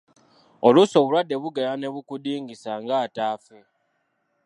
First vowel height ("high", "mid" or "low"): mid